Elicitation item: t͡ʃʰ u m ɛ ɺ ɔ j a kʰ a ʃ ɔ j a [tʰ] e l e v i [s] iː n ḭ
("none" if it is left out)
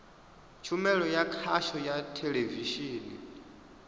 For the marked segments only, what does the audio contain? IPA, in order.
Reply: tʰ, ʃ

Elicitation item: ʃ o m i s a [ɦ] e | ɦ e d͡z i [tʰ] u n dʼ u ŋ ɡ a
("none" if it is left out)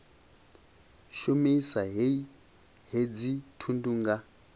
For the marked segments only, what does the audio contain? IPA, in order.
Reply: ɦ, tʰ

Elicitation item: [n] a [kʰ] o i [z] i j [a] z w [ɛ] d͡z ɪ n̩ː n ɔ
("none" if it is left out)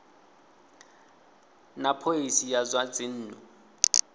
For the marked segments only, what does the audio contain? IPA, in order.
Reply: n, pʰ, s, a, a

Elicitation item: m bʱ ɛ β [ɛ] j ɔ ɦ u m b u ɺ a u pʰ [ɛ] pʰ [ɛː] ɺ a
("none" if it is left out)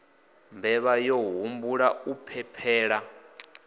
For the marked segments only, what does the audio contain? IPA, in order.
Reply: a, ɛ, ɛː

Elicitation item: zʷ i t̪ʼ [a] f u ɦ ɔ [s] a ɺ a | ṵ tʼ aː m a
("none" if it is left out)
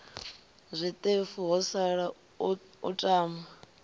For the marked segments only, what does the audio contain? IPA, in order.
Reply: e, s

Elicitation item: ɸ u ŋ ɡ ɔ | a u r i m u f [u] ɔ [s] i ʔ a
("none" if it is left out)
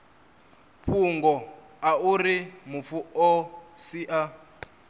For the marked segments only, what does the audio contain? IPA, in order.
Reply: u, s

